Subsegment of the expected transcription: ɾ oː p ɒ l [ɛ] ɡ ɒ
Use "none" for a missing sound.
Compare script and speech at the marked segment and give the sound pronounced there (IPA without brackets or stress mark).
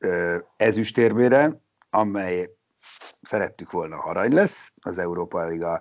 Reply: i